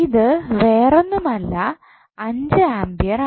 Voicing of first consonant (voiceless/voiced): voiced